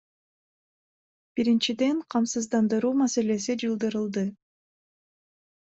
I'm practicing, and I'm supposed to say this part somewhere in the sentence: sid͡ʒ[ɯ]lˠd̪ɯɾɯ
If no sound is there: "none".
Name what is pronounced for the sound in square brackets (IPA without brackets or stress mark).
ɯ